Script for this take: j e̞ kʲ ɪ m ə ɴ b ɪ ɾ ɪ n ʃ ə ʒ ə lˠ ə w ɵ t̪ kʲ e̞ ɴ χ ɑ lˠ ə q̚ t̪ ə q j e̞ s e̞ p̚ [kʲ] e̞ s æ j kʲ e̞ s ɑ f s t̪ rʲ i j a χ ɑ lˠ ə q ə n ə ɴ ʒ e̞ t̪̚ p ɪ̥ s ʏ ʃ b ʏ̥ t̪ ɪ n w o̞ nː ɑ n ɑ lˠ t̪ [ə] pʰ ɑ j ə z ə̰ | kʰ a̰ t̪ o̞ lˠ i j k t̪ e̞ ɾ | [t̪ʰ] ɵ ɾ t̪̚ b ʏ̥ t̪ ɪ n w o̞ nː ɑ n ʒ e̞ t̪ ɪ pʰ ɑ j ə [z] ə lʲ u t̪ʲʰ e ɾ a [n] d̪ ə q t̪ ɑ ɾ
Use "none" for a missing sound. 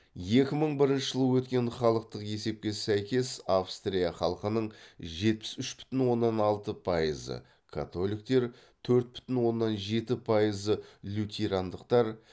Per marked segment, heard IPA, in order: kʲ, ə, t̪ʰ, z, n

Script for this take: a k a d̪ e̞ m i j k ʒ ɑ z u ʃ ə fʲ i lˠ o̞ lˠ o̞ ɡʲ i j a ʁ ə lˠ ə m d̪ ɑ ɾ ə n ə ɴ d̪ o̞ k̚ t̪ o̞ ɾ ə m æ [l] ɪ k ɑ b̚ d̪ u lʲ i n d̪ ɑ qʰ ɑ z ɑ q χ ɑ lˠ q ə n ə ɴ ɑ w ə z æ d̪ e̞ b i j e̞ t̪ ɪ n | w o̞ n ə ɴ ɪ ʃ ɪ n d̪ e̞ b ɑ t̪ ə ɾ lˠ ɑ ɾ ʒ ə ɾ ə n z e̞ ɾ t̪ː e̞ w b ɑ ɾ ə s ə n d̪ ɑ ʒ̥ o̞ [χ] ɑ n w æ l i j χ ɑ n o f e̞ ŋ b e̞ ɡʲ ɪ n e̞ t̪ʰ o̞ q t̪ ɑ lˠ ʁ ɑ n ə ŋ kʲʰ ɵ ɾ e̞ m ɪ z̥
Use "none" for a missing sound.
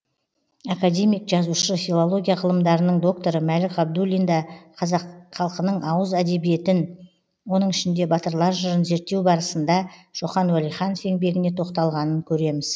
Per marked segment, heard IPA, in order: l, χ

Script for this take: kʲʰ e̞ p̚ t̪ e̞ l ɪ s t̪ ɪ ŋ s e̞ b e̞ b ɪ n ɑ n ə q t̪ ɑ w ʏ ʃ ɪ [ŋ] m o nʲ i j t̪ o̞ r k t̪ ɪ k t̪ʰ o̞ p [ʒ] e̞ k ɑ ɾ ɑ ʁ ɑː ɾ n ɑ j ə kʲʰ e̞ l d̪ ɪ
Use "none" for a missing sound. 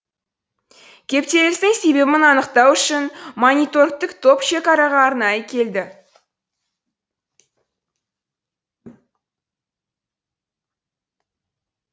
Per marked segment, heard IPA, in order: n, ʃ

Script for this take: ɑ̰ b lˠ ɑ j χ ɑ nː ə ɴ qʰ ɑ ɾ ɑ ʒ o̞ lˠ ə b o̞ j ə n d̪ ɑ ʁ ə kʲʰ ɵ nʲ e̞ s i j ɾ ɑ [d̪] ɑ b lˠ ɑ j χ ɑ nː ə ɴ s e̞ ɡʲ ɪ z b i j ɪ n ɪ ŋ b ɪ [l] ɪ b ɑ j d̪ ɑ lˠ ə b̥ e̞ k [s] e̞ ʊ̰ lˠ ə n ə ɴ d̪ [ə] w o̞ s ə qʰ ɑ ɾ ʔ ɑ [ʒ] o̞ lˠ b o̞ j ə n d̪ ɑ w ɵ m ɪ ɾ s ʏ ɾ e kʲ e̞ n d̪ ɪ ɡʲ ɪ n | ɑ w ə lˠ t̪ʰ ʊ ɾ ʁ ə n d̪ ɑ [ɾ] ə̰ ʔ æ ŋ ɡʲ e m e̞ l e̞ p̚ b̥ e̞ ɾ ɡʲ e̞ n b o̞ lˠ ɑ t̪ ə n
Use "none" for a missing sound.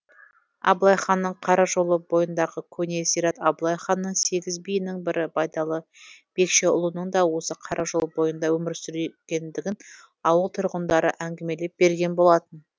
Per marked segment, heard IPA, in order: t̪, ɾ, ʃ, ɑ, ʒ, ɾ

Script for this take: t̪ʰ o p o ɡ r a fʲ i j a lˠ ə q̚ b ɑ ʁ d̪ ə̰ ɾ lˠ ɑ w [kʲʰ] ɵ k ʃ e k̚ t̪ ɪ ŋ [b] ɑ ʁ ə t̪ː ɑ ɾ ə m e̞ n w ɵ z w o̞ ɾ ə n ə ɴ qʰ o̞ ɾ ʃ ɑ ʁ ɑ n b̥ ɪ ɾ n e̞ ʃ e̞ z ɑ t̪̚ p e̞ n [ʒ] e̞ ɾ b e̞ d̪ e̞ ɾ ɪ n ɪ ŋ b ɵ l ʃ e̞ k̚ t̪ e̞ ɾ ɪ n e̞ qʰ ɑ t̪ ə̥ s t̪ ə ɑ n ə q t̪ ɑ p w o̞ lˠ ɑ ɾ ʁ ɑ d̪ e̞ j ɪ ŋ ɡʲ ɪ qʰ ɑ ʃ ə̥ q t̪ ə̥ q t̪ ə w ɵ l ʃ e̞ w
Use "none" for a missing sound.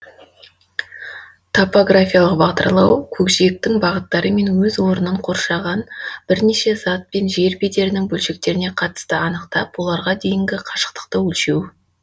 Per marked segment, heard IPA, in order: kʲʰ, b, ʒ

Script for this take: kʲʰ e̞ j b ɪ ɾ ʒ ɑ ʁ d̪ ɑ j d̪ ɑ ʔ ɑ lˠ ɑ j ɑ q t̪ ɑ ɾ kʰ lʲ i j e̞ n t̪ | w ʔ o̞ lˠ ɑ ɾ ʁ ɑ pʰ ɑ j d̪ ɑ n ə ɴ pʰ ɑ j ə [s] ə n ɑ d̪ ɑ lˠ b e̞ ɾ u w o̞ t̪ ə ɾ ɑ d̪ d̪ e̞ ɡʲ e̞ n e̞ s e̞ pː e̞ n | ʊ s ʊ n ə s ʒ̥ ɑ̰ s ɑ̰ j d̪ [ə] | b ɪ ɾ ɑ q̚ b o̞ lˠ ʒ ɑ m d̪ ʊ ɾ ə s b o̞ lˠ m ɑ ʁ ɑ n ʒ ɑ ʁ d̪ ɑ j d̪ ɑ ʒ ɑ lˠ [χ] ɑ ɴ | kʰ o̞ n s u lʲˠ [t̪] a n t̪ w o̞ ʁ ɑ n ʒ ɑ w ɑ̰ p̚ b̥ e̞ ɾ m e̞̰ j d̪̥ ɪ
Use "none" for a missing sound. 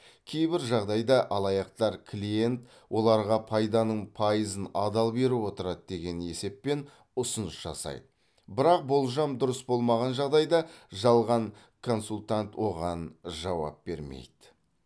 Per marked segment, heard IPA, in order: z, ə, ʁ, t̪

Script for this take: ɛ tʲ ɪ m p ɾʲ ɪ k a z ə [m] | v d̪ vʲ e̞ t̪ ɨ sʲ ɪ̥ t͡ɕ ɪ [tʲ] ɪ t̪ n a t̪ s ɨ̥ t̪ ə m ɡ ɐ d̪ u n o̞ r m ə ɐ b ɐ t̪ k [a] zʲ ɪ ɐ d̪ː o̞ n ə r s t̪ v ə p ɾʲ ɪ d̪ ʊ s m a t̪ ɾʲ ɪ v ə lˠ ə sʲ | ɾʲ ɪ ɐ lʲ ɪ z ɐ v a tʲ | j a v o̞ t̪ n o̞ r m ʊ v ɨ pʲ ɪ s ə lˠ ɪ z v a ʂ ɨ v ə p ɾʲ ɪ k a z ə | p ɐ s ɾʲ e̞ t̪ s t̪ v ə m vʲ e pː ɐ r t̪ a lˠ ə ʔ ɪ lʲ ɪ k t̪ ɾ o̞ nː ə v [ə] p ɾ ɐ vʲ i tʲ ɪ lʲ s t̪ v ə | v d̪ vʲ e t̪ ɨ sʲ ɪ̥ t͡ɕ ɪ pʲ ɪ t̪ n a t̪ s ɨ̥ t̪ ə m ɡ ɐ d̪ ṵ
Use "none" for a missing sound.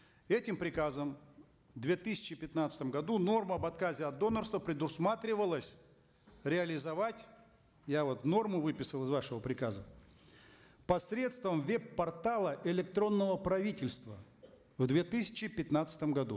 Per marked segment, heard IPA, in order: m, pʲ, a, ə

